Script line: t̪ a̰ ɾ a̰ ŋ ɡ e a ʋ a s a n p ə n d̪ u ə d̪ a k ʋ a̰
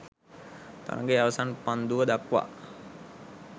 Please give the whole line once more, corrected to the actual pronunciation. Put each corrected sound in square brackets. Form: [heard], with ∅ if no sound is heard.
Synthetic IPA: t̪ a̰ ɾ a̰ ŋ ɡ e a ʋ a s a n p [a] n d̪ u ə d̪ a k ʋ a̰